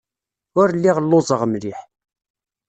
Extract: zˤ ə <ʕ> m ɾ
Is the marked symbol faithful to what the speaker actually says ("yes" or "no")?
no